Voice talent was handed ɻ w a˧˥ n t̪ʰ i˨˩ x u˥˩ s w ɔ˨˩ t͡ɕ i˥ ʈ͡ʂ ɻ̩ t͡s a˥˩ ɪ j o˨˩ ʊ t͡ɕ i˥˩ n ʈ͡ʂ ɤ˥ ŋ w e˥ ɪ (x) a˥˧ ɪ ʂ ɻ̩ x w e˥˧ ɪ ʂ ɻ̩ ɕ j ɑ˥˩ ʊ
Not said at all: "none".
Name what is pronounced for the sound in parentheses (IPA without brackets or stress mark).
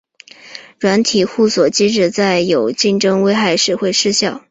x